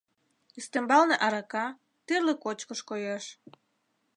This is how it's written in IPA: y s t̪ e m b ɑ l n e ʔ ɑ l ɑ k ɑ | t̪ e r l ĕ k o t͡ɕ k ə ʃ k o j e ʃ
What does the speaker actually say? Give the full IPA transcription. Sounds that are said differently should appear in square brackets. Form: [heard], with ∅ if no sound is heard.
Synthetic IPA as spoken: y s t̪ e m b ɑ l n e ʔ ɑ [ɾ] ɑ k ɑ | t̪ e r l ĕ k o t͡ɕ k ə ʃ k o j e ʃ

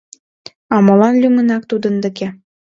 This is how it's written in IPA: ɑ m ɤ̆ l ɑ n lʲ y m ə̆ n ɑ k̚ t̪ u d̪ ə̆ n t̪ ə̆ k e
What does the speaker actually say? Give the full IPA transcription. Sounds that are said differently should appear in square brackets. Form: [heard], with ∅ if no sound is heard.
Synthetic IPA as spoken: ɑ m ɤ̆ l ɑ n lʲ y m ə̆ n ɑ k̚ t̪ u d̪ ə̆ n [d̪] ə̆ k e

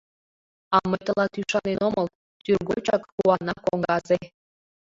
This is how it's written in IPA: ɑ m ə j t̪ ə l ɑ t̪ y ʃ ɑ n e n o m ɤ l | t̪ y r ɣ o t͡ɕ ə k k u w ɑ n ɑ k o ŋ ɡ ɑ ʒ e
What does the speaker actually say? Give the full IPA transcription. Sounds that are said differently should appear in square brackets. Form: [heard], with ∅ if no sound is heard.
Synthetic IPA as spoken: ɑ m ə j t̪ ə l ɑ t̪ y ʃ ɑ n e n o m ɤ l | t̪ y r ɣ o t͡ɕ [ɑ] k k u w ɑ n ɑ k o ŋ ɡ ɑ [z] e

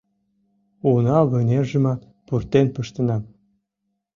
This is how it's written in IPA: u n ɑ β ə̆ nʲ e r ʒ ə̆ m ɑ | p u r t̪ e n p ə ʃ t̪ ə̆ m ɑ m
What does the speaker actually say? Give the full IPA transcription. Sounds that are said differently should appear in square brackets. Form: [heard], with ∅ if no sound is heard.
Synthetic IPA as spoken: u n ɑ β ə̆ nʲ e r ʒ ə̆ m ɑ | p u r t̪ e n p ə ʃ t̪ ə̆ [n] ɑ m

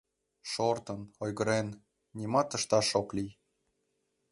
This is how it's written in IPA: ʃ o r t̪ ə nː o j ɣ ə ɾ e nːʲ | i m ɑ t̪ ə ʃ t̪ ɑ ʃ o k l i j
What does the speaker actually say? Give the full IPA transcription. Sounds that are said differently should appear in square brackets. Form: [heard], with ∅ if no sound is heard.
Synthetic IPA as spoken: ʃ o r t̪ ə [n] o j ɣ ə ɾ e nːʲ | i m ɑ t̪ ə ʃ t̪ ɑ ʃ o k l i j

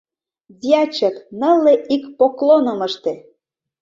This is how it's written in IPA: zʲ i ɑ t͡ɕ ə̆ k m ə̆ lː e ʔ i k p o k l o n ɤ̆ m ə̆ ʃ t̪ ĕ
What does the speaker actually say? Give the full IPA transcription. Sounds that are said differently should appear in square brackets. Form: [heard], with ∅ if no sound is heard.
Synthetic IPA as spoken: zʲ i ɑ t͡ɕ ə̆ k [n] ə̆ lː e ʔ i k p o k l o n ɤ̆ m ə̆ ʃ t̪ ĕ

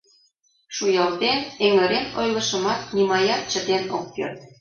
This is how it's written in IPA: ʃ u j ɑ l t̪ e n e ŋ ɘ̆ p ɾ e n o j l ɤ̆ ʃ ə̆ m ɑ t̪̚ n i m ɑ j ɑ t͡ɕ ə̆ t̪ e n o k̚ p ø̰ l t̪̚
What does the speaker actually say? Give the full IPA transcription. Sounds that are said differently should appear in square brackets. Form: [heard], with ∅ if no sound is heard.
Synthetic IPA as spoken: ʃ u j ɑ l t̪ e n e ŋ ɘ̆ [∅] ɾ e n o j l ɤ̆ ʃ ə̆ m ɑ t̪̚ n i m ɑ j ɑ t͡ɕ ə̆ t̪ e n o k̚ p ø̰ [r] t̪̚

